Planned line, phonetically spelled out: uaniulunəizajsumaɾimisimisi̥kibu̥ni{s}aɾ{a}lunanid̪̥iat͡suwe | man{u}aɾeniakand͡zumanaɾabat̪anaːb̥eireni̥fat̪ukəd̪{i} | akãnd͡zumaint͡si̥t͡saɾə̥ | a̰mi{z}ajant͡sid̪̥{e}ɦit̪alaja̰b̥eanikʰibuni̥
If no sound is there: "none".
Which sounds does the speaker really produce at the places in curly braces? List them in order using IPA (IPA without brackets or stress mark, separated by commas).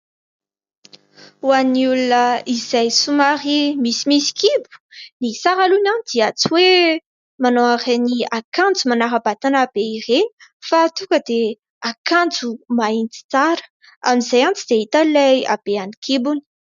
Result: s, a, o, e, z, e